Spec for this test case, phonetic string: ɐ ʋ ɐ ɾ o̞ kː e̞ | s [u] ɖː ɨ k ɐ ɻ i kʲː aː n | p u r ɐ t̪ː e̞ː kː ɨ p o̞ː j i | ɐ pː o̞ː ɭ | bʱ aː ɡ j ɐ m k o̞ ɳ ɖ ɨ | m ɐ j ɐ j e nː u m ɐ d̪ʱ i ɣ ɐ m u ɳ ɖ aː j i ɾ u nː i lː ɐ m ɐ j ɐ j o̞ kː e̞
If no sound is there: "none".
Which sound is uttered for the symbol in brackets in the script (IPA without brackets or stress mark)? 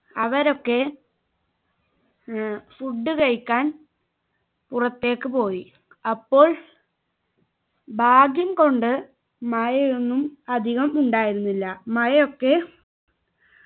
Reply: u